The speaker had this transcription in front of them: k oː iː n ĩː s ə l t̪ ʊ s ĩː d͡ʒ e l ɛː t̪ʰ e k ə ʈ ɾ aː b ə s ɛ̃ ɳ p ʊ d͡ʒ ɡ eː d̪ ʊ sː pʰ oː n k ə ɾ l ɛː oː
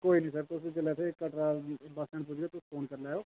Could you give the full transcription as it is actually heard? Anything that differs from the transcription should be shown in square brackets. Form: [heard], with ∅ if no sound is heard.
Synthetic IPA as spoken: k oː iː n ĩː s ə [ɾ] t̪ ʊ s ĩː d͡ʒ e l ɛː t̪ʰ e k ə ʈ ɾ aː b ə s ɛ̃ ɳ p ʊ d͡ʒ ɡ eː [t̪] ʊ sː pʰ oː n k ə ɾ l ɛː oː